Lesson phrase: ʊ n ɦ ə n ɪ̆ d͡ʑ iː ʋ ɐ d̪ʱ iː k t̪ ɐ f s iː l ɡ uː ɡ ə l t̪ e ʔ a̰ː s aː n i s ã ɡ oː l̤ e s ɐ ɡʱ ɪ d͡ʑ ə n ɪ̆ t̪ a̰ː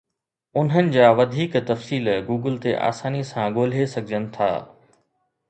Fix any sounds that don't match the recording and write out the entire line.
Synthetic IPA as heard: ʊ n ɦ ə n ɪ̆ d͡ʑ aː ʋ ɐ d̪ʱ iː k t̪ ɐ f s iː l ɡ uː ɡ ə l t̪ e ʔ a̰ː s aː n i s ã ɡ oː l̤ e s ɐ ɡʱ ɪ d͡ʑ ə n ɪ̆ t̪ʰ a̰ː